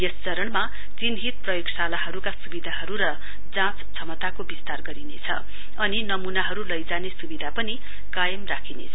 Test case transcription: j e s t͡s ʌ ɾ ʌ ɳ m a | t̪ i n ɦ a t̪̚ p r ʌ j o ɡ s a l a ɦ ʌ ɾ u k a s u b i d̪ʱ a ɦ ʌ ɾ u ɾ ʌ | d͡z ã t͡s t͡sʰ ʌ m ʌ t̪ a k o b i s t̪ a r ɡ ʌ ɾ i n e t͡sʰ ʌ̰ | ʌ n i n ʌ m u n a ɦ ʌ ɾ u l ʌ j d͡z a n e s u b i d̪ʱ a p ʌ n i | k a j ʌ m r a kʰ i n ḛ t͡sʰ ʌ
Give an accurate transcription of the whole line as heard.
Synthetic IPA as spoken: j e s t͡s ʌ ɾ ʌ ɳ m a | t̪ i n ɦ i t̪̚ p r ʌ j o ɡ s a l a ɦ ʌ ɾ u k a s u b i d̪ʱ a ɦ ʌ ɾ u ɾ ʌ | d͡z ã t͡s t͡sʰ ʌ m ʌ t̪ a k o b i s t̪ a r ɡ ʌ ɾ i n e t͡sʰ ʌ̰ | ʌ n i n ʌ m u n a ɦ ʌ ɾ u l ʌ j d͡z a n e s u b i d̪ʱ a p ʌ n i | k a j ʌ m r a kʰ i n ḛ t͡sʰ ʌ